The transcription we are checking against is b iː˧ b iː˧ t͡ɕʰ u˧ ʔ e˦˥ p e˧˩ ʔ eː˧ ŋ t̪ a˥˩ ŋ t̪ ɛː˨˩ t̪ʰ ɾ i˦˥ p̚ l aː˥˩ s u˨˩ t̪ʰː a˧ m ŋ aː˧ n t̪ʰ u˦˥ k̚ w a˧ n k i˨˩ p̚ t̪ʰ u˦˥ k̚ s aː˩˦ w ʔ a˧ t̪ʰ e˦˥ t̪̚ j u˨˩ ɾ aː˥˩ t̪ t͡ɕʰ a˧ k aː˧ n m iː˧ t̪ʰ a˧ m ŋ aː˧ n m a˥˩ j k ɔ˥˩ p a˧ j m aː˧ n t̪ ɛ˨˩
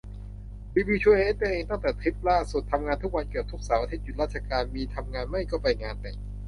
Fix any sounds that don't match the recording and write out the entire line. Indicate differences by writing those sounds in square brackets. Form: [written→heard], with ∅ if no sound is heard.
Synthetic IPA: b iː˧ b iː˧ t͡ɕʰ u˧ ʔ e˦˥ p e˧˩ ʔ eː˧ ŋ t̪ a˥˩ ŋ t̪ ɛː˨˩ t̪ʰ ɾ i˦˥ p̚ l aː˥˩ s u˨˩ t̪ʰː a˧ m ŋ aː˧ n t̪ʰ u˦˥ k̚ w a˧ n k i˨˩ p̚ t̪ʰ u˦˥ k̚ s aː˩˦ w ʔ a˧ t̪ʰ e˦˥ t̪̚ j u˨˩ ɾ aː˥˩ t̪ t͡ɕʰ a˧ k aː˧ n m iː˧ t̪ʰ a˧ m ŋ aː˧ n m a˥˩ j k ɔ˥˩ p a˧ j [m→ŋ] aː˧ n t̪ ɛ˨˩